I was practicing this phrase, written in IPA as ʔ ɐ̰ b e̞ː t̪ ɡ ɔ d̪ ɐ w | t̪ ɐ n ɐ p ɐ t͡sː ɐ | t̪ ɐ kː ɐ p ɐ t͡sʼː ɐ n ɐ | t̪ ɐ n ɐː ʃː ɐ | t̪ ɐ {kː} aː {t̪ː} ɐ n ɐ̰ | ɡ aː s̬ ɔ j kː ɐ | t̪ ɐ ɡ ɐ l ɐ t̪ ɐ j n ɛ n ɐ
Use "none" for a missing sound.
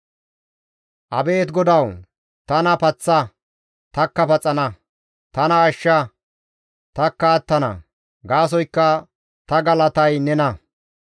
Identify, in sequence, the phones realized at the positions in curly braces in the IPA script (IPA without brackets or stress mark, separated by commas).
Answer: kː, t̪ː